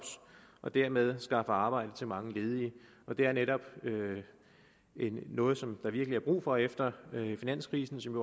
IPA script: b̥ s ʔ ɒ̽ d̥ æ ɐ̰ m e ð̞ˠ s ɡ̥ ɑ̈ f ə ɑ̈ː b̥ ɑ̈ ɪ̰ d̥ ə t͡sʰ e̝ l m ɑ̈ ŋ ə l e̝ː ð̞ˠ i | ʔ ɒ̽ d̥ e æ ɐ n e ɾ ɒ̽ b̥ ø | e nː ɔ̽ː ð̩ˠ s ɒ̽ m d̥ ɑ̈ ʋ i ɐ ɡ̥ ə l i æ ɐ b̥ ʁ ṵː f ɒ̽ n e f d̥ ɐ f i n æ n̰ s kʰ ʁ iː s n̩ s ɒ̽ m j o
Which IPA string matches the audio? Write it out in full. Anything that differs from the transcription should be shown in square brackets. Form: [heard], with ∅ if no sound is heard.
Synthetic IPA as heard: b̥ s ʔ ɒ̽ d̥ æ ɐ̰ m e ð̞ˠ s ɡ̥ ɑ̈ f ə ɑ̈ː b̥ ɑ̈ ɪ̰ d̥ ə t͡sʰ e̝ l m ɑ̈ ŋ ə l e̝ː ð̞ˠ i | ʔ ɒ̽ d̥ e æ ɐ n e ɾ ɒ̽ b̥ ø | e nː ɔ̽ː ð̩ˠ s ɒ̽ m d̥ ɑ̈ ʋ i ɐ ɡ̥ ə l i æ ɐ b̥ ʁ ṵː f ɒ̽ [∅] e f d̥ ɐ f i n æ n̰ s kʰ ʁ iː s n̩ s ɒ̽ m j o